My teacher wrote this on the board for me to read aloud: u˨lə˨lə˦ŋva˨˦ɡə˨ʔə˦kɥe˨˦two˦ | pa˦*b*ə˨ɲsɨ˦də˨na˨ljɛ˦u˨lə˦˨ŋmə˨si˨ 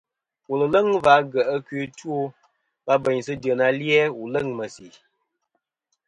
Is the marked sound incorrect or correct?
correct